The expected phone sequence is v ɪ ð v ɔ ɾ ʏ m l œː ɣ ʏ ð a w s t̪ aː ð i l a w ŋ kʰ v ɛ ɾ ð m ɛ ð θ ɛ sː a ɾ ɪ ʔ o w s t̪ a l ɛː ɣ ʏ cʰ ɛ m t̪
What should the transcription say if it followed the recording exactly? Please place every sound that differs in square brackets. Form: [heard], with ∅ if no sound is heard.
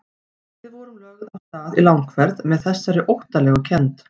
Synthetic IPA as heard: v ɪ ð v ɔ ɾ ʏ m l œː ɣ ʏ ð a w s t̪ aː ð i l a w ŋ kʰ v ɛ ɾ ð m ɛ ð θ ɛ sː a ɾ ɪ ʔ o w [h] t̪ a l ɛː ɣ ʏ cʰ ɛ [n] t̪